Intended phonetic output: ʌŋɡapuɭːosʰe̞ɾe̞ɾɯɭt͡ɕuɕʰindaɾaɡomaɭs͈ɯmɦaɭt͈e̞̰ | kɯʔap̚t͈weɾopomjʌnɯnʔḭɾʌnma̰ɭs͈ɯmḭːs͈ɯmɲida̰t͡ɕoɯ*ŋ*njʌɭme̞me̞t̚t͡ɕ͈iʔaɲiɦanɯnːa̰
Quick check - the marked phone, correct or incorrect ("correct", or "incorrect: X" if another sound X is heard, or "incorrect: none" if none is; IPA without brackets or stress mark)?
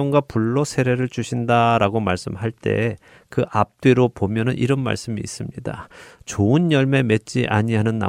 incorrect: none